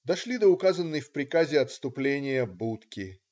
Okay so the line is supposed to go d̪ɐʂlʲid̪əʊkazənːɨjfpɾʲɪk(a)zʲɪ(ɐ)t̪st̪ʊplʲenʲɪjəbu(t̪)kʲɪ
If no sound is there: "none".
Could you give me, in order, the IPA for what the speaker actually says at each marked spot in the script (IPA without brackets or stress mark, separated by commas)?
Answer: a, ɐ, t̪